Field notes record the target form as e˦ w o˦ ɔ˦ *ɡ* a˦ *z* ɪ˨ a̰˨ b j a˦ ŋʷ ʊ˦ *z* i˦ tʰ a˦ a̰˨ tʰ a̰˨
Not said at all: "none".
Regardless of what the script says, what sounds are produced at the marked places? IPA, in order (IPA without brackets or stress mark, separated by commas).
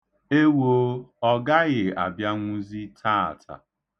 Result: ɡ, ɣ, z